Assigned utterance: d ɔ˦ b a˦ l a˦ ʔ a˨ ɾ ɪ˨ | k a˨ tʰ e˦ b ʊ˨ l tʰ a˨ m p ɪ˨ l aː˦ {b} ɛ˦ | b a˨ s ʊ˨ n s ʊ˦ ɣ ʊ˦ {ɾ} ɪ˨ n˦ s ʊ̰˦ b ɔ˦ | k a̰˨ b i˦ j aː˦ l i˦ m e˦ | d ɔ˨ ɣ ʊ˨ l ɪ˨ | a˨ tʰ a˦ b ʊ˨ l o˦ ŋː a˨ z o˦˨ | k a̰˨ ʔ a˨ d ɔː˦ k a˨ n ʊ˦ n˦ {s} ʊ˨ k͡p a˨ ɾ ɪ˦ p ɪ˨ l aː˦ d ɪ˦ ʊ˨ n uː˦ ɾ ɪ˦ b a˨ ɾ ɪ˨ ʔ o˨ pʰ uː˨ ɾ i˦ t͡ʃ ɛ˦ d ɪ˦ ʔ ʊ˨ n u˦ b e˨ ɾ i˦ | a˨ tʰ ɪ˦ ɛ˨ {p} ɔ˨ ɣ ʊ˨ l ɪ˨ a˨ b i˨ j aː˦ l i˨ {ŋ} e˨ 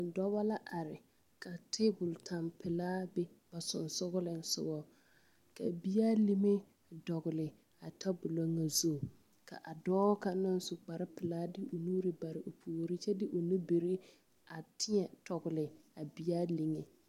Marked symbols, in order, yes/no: yes, no, yes, no, yes

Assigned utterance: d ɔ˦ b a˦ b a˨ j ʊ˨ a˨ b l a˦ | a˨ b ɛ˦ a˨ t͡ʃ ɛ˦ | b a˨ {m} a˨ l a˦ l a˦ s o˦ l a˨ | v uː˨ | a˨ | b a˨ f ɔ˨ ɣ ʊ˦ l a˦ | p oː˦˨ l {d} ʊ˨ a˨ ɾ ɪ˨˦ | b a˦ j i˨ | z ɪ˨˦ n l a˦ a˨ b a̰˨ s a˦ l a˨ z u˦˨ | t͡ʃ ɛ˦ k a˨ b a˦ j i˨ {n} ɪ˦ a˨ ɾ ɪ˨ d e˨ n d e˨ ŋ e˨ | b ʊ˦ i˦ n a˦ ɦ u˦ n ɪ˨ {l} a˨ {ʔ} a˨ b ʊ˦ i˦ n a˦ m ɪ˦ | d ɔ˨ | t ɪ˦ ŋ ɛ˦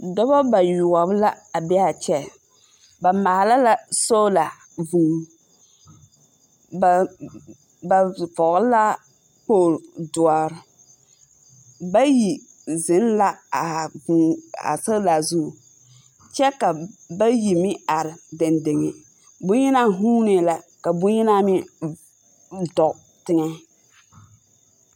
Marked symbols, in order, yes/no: yes, yes, no, yes, no

